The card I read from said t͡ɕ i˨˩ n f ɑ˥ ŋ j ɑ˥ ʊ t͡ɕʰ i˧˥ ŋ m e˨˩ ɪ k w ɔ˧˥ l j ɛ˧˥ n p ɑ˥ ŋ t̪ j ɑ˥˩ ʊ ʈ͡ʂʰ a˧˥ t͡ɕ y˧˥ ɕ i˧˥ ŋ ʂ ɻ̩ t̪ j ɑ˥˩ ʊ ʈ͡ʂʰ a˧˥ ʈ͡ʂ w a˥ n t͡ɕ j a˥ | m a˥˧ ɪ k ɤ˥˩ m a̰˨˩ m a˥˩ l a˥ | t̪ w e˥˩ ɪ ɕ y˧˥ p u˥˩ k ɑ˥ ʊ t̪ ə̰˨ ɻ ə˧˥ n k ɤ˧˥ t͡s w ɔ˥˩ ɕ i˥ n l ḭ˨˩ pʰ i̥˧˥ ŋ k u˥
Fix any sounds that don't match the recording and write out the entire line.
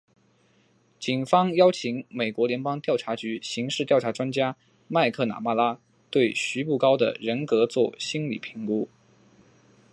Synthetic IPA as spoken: t͡ɕ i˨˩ n f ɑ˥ ŋ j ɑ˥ ʊ t͡ɕʰ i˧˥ ŋ m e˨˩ ɪ k w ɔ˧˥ l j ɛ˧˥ n p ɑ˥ ŋ t̪ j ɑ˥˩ ʊ ʈ͡ʂʰ a˧˥ t͡ɕ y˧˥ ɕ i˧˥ ŋ ʂ ɻ̩ t̪ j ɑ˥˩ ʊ ʈ͡ʂʰ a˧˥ ʈ͡ʂ w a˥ n t͡ɕ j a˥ | m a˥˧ ɪ kʰ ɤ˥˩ n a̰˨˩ m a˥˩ l a˥ | t̪ w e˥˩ ɪ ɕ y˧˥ p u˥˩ k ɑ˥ ʊ d̪ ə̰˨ ɻ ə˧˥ n k ɤ˧˥ t͡s w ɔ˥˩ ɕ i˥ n l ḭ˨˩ pʰ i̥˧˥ ŋ k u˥